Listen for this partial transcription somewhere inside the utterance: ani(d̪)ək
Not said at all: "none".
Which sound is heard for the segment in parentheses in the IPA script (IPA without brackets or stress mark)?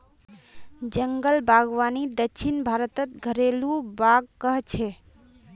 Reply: d̪